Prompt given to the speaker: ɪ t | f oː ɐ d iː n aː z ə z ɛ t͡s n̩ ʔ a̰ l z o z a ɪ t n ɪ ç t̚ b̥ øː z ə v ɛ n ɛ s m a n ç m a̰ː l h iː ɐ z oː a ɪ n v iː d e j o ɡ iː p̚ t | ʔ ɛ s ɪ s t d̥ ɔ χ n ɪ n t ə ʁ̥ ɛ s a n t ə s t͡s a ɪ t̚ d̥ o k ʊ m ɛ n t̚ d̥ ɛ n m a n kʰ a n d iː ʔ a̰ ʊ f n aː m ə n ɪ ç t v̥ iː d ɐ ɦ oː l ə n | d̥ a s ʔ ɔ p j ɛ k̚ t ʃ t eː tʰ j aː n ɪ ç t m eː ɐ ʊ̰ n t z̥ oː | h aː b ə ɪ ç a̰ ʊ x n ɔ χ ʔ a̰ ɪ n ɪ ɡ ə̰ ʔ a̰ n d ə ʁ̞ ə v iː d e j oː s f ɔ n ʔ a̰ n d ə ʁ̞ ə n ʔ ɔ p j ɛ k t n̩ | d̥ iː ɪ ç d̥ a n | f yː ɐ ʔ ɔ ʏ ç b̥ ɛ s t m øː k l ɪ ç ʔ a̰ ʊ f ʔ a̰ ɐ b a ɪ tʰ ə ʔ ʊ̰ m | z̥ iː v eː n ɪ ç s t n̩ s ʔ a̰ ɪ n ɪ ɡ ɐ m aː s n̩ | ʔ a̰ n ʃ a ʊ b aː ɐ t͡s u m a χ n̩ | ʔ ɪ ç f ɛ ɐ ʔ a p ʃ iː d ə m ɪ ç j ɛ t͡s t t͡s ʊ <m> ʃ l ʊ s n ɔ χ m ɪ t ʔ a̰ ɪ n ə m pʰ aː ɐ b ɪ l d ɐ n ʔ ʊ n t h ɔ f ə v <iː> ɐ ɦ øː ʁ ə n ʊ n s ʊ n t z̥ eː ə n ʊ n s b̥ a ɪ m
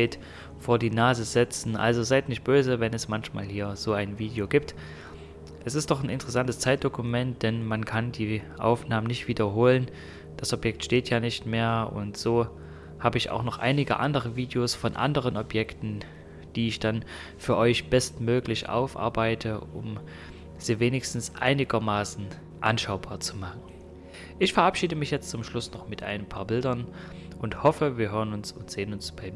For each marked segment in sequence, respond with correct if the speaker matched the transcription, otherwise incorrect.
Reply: correct, correct

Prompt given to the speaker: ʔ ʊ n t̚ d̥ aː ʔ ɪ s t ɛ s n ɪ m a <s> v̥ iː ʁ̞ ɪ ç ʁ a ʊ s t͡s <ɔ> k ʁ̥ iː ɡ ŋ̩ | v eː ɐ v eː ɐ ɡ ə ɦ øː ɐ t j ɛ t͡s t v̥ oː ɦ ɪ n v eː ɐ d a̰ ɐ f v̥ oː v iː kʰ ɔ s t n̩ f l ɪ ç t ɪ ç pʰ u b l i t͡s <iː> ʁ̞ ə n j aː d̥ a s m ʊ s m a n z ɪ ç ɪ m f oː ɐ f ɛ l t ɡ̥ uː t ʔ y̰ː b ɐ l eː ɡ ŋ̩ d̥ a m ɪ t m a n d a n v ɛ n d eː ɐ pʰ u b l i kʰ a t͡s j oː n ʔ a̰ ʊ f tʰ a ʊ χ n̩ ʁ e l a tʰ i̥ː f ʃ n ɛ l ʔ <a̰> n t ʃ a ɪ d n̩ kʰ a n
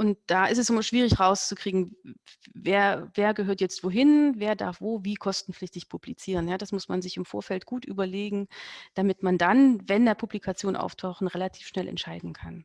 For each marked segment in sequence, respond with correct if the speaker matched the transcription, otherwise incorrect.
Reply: incorrect: ʃ, incorrect: u, correct, incorrect: ɛ̰

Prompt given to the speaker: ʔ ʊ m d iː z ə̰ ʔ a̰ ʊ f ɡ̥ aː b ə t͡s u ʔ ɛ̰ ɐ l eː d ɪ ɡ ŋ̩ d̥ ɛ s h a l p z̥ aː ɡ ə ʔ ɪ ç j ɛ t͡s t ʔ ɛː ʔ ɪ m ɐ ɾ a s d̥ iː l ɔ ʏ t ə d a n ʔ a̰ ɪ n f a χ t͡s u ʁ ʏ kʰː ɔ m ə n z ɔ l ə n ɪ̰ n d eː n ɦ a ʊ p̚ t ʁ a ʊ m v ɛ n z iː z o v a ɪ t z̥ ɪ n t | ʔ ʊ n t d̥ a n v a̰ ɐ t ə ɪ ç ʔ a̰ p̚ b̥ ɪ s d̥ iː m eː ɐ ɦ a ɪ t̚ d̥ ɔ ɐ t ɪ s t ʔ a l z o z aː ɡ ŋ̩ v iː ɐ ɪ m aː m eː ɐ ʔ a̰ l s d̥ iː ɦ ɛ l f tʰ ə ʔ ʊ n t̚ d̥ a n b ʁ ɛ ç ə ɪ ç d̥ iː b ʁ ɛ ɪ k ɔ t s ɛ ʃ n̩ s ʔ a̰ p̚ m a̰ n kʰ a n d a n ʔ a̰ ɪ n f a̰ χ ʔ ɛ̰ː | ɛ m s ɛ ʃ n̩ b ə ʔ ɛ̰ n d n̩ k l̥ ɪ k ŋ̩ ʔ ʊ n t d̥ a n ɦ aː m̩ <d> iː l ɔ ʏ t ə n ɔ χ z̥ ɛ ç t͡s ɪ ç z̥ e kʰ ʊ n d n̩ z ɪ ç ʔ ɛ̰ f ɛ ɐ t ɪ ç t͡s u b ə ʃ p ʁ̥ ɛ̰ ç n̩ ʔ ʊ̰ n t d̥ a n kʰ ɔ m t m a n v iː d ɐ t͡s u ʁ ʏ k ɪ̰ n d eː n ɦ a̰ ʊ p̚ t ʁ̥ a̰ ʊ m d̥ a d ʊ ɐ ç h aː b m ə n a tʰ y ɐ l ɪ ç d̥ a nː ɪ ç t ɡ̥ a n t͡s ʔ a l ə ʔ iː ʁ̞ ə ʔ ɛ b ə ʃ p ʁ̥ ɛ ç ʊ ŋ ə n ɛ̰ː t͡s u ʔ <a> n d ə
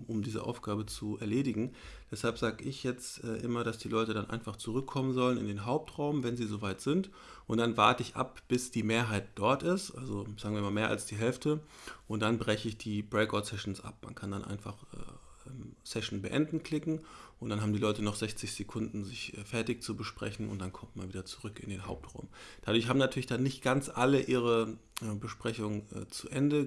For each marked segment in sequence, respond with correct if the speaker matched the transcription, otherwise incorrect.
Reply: correct, incorrect: ɛ

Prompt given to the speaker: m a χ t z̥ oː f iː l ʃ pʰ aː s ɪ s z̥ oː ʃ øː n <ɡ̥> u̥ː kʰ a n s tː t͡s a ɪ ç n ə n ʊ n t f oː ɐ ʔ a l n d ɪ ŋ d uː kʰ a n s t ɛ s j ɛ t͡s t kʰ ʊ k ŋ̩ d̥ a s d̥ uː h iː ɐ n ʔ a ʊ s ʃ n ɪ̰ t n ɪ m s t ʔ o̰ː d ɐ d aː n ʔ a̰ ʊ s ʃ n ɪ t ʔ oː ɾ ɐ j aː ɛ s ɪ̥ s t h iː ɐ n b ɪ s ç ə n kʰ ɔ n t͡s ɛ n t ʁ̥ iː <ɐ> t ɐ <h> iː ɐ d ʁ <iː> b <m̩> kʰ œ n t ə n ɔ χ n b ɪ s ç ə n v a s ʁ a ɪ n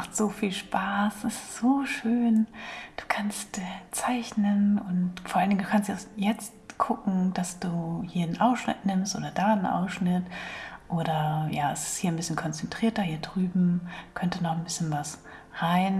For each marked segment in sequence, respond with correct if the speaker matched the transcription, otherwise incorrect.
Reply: incorrect: d̥, correct, correct, incorrect: yː, correct

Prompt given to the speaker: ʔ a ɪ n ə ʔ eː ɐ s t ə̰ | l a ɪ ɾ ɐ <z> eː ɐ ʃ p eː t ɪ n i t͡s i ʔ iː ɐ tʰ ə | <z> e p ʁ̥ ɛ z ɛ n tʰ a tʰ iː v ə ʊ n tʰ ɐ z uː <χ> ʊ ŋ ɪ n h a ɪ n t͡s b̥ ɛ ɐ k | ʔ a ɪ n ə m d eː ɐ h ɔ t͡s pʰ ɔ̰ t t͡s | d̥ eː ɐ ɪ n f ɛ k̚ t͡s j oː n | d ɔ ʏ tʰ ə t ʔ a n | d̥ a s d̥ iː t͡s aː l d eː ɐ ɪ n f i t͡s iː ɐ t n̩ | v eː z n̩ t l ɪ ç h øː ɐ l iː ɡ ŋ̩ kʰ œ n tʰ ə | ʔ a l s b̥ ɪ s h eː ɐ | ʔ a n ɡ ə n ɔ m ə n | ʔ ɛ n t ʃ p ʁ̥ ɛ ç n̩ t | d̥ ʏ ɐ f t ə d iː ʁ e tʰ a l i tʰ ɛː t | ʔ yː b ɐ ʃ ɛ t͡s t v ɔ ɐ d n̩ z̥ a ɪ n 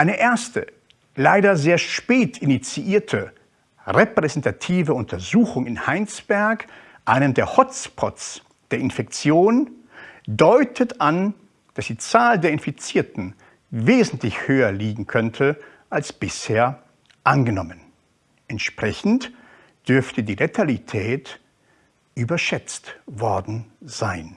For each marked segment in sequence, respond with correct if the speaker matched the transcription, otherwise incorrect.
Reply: correct, incorrect: ʁ, incorrect: x

